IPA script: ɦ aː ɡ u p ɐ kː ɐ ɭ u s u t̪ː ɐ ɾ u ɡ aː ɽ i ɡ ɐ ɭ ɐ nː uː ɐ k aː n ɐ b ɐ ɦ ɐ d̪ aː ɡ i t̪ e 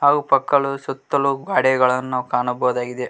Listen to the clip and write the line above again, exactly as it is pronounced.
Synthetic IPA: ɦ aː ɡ u p ɐ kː ɐ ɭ u s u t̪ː ɐ l u ɡ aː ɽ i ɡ ɐ ɭ ɐ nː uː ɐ k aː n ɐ b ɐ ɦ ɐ d̪ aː ɡ i d̪ e